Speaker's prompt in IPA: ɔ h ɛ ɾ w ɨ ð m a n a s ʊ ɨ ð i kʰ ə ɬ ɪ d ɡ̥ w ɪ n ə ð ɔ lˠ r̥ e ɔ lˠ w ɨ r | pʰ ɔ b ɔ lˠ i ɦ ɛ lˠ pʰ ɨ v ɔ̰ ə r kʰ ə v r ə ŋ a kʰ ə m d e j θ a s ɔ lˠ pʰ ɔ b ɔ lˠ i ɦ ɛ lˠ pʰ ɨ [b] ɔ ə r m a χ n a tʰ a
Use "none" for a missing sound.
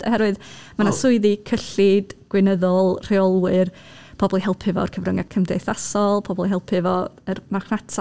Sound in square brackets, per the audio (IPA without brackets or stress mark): v